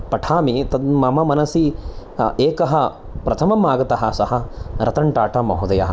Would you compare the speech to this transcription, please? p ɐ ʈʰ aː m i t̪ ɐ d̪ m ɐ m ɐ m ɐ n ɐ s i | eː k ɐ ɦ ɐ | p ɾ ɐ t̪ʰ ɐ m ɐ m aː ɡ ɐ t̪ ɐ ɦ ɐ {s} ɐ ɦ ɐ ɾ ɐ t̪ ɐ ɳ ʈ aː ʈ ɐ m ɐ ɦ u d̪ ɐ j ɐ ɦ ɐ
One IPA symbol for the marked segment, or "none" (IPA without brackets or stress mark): s